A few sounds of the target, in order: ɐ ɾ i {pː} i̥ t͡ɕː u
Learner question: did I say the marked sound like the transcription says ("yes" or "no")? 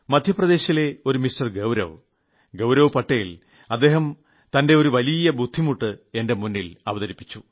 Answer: yes